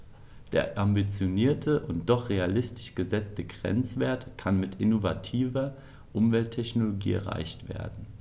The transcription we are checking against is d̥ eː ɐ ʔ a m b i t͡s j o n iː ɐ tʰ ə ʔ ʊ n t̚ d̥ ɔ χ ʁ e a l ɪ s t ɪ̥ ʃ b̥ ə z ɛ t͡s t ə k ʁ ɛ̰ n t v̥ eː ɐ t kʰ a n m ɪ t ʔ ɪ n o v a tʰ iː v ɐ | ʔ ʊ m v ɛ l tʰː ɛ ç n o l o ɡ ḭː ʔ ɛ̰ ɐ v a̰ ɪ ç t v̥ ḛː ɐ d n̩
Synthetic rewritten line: d̥ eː ɐ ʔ a m b i t͡s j o n iː ɐ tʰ ə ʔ ʊ n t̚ d̥ ɔ χ ʁ e a l ɪ s t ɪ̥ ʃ ɡ̥ ə z ɛ t͡s t ə ɡ ʁ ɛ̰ n t͡s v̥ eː ɐ t kʰ a n m ɪ t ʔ ɪ n o v a tʰ iː v ɐ | ʔ ʊ m v ɛ l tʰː ɛ ç n o l o ɡ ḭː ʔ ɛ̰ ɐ ʁ a̰ ɪ ç t v̥ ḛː ɐ d n̩

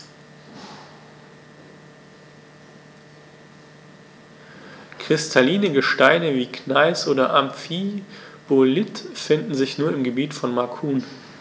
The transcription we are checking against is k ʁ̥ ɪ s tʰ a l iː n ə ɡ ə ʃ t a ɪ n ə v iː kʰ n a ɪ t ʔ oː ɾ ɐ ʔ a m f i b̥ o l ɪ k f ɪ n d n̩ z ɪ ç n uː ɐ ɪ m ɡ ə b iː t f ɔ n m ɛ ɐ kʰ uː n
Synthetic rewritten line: k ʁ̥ ɪ s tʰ a l iː n ə ɡ ə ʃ t a ɪ n ə v iː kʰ n a ɪ s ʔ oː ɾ ɐ ʔ a m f i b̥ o l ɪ t f ɪ n d n̩ z ɪ ç n uː ɐ ɪ m ɡ ə b iː t f ɔ n m a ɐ kʰ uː n

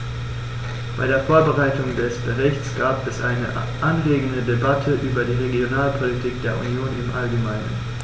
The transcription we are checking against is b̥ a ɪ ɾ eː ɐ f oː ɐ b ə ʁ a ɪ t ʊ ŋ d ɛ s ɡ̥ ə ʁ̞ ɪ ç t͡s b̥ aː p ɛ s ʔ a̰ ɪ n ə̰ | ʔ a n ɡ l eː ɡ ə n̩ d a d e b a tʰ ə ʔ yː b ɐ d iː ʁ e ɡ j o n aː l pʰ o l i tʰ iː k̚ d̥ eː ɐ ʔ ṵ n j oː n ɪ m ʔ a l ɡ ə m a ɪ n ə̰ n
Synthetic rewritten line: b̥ a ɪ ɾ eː ɐ f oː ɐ b ə ʁ a ɪ t ʊ ŋ d ɛ s b̥ ə ʁ̞ ɪ ç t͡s ɡ̥ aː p ɛ s ʔ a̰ ɪ n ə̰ | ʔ a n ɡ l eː ɡ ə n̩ d ə d e b a tʰ ə ʔ yː b ɐ d iː ʁ e ɡ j o n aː l pʰ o l i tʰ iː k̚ d̥ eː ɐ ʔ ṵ n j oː n ɪ m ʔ a l ɡ ə m a ɪ n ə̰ n

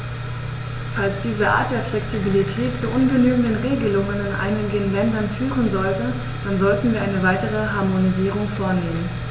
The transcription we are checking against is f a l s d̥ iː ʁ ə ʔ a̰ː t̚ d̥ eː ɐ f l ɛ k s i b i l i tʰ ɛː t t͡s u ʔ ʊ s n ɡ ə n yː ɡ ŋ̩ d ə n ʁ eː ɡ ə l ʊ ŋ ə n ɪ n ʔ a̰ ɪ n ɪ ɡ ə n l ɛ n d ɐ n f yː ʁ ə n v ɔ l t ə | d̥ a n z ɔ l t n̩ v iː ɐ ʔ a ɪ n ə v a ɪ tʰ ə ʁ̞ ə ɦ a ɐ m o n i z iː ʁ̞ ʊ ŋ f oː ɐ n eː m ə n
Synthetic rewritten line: f a l s d̥ iː z ə ʔ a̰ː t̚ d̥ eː ɐ f l ɛ k s i b i l i tʰ ɛː t t͡s u ʔ ʊ n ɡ ə n yː ɡ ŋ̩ d ə n ʁ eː ɡ ə l ʊ ŋ ə n ɪ n ʔ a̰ ɪ n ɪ ɡ ə n l ɛ n d ɐ n f yː ʁ ə n z ɔ l t ə | d̥ a n z ɔ l t n̩ v iː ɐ ʔ a ɪ n ə v a ɪ t ə ʁ̞ ə ɦ a ɐ m o n i z iː ʁ̞ ʊ ŋ f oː ɐ n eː m ə n

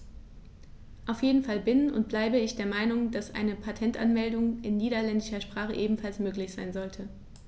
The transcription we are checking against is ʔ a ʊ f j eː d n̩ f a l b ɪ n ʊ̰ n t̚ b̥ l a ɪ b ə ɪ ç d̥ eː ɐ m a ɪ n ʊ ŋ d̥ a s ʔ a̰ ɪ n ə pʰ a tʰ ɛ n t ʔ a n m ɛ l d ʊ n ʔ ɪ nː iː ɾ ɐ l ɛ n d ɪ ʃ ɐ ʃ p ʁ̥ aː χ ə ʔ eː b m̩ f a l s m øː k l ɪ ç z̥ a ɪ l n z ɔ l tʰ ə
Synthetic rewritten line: ʔ a ʊ f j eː d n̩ f a l b ɪ n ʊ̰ n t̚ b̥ l a ɪ b ə ɪ ç d̥ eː ɐ m a ɪ n ʊ ŋ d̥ a s ʔ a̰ ɪ n ə pʰ a tʰ ɛ n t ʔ a n m ɛ l d ʊ ŋ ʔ ɪ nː iː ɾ ɐ l ɛ n d ɪ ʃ ɐ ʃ p ʁ̥ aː χ ə ʔ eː b m̩ f a l s m øː k l ɪ ç z̥ a ɪ n z ɔ l tʰ ə

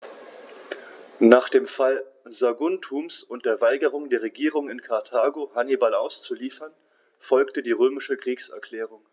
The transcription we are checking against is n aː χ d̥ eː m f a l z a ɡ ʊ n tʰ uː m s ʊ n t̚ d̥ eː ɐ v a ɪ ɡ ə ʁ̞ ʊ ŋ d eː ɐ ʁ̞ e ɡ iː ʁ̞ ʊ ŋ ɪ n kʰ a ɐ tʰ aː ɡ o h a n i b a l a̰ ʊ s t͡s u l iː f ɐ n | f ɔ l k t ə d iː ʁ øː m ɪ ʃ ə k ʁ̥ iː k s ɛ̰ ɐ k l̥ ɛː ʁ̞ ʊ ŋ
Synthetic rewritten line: n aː χ d̥ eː m f a l z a ɡ ʊ n tʰ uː m s ʊ n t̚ d̥ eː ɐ v a ɪ ɡ ə ʁ̞ ʊ ŋ d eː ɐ ʁ̞ e ɡ iː ʁ̞ ʊ ŋ ɪ n kʰ a ɐ tʰ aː ɡ o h a n i b a l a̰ ʊ s t͡s u l iː f ɐ n | f ɔ l k t ə d iː ʁ øː m ɪ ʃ ə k ʁ̥ iː k s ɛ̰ ɐ k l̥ ɛː ʁ̞ ʊ ŋ

